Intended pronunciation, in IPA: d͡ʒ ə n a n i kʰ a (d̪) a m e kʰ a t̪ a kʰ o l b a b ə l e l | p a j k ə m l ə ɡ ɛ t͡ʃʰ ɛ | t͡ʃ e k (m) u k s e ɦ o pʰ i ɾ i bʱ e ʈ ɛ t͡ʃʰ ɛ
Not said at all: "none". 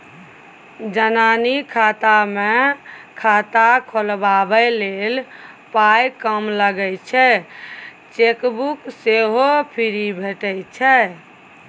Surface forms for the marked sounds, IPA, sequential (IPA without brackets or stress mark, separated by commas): t̪, b